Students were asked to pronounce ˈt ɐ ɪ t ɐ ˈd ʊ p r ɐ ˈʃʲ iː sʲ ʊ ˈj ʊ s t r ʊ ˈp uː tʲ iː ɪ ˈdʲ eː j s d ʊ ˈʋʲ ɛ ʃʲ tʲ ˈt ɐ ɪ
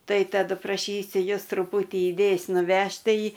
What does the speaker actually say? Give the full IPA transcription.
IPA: ˈt ɐ ɪ t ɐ ˈd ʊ p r ɐ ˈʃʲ iː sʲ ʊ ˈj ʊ s t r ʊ ˈp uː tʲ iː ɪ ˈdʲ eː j s n ʊ ˈʋʲ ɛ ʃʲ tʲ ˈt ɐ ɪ